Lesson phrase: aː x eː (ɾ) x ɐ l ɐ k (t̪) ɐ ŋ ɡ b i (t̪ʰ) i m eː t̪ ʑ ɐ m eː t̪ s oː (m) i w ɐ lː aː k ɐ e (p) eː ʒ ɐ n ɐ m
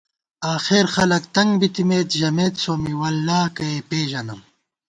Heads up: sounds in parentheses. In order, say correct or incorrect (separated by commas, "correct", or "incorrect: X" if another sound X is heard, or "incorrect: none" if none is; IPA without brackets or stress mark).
correct, correct, incorrect: t̪, correct, correct